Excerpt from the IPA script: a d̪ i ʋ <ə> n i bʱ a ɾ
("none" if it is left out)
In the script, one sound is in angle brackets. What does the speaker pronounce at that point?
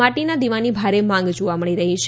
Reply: a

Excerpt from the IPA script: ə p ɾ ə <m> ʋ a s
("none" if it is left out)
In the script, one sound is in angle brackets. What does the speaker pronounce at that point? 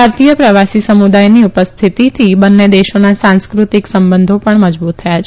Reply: none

